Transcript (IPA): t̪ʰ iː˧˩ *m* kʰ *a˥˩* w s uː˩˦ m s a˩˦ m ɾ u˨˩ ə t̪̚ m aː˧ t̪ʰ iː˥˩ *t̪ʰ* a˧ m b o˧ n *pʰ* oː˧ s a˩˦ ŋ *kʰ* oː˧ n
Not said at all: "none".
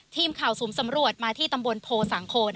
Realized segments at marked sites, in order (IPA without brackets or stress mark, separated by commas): m, a˨˩, t̪, pʰ, kʰ